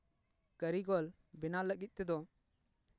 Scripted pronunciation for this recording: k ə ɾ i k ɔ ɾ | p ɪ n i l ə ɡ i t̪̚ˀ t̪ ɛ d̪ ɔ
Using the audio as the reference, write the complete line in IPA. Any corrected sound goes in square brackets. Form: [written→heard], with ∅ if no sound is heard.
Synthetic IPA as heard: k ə ɾ i [k→ɡ] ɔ [ɾ→l] | [p→b] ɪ n [i→a] l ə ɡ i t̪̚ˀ t̪ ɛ d̪ ɔ